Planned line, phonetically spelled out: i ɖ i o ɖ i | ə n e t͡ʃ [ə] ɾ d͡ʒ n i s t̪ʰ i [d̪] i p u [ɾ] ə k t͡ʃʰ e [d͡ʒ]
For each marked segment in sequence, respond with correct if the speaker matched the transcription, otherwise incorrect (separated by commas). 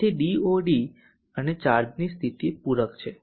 incorrect, incorrect, correct, incorrect